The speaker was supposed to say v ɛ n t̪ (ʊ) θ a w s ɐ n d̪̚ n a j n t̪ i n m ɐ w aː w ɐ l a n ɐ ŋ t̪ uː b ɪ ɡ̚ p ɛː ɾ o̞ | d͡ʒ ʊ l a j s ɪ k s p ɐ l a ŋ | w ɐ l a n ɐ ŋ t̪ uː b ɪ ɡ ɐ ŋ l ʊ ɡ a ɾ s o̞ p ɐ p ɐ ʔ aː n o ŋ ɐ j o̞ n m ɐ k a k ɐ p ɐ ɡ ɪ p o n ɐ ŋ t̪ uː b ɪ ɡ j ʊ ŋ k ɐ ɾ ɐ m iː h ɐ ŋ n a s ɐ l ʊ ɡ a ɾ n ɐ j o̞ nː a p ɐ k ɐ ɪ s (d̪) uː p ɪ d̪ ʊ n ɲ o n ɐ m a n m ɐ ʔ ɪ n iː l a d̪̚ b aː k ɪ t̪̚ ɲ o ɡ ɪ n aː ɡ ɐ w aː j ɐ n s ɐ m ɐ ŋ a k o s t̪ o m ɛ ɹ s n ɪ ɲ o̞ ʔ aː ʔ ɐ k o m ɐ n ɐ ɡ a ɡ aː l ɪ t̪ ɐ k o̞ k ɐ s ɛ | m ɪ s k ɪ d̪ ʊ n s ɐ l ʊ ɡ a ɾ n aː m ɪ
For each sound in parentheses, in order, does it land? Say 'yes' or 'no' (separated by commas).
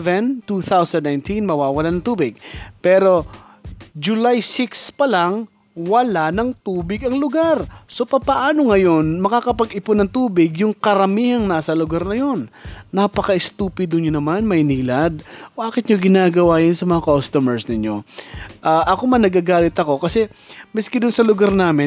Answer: no, no